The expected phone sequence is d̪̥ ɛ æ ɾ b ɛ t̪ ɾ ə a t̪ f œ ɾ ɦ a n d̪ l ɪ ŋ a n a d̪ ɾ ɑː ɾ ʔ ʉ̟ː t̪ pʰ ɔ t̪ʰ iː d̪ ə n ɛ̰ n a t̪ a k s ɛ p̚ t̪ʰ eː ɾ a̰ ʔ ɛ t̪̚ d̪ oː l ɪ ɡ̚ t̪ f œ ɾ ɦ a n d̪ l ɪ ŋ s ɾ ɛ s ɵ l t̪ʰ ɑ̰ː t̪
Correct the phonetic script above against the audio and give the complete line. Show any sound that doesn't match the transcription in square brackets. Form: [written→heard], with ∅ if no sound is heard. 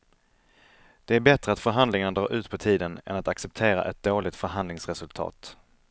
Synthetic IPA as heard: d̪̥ ɛ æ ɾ b ɛ t̪ ɾ ə a t̪ f œ ɾ ɦ a n d̪ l ɪ ŋ a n a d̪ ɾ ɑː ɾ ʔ ʉ̟ː t̪ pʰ ɔ t̪ʰ iː d̪ ə n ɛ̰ n a t̪ a k s ɛ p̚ t̪ʰ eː ɾ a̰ ʔ ɛ t̪̚ d̪ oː l ɪ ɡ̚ t̪ f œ ɾ ɦ a n d̪ l ɪ ŋ s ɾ ɛ s ɵ l t̪ʰ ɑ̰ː t̪